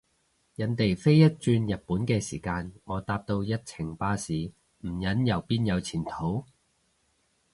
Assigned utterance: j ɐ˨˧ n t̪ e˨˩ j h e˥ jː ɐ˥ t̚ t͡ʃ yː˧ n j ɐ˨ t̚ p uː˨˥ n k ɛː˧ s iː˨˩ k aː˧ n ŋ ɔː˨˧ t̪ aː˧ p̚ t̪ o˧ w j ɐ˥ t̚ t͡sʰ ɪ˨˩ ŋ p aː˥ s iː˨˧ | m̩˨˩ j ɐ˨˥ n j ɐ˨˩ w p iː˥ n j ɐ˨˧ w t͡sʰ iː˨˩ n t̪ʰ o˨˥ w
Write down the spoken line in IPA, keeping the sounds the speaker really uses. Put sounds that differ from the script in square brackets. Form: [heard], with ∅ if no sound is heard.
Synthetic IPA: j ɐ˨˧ n t̪ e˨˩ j [f] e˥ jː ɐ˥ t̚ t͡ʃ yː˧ n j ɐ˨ t̚ p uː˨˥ n k ɛː˧ s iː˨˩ k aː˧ n ŋ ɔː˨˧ t̪ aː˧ p̚ t̪ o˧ w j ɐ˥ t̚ t͡sʰ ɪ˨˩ ŋ p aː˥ s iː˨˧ | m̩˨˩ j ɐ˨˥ n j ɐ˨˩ w p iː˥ n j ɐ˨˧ w t͡sʰ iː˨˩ n t̪ʰ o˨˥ w